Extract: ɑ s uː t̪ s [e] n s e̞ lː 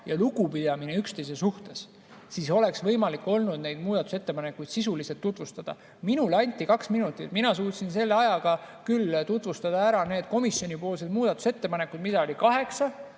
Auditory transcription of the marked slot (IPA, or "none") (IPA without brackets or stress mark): i